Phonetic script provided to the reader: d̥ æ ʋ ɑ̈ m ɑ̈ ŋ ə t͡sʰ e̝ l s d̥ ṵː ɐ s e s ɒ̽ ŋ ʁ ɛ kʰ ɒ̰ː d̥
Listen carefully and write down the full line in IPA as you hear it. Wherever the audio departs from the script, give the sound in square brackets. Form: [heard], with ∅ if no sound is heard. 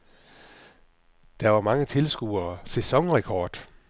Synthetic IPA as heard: d̥ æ ʋ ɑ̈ m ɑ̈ ŋ ə t͡sʰ e̝ l s [ɡ̥] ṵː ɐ s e s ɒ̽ ŋ ʁ ɛ kʰ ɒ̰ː d̥

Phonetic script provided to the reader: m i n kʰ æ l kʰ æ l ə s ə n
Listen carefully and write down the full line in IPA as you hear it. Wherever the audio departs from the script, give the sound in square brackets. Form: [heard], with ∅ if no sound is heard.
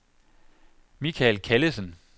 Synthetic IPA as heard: m i [∅] kʰ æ l kʰ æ l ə s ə n

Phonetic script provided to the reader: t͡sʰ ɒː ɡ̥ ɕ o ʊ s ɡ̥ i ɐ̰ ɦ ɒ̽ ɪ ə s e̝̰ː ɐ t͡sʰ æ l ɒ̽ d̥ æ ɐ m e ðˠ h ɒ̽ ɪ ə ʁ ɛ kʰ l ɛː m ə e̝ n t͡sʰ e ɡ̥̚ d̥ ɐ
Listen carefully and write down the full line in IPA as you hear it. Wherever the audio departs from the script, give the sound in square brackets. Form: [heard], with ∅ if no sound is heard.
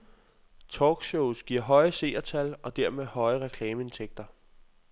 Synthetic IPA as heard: t͡sʰ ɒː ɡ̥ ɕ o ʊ s ɡ̥ i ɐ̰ ɦ ɒ̽ ɪ ə s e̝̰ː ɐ t͡sʰ æ l ɒ̽ d̥ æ ɐ m e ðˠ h ɒ̽ ɪ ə ʁ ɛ kʰ l ɛː m ə e̝ n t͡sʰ e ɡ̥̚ d̥ ɐ

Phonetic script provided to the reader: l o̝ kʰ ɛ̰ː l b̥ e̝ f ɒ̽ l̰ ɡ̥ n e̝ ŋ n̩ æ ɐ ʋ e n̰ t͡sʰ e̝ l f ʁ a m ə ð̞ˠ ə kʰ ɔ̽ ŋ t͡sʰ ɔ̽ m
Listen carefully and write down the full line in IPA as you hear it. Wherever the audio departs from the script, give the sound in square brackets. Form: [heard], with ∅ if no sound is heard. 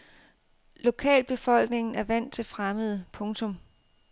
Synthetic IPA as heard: l o̝ kʰ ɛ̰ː l b̥ e̝ f ɒ̽ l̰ ɡ̥ n e̝ ŋ n̩ æ ɐ ʋ [æ] n̰ t͡sʰ e̝ l f ʁ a m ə ð̞ˠ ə [pʰ] ɔ̽ ŋ t͡sʰ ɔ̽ m

